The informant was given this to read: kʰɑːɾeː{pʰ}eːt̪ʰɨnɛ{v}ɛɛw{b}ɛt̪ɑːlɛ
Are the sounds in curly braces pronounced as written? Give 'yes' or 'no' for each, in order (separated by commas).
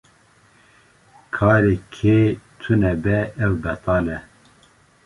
no, no, yes